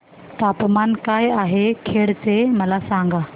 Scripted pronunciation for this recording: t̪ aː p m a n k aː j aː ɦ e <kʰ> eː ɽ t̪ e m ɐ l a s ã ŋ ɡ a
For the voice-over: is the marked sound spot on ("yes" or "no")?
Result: yes